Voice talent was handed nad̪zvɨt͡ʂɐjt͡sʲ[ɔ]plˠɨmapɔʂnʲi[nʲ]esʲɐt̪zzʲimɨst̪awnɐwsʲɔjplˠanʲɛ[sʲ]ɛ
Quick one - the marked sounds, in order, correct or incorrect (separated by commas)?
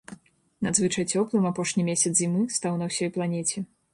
correct, incorrect, incorrect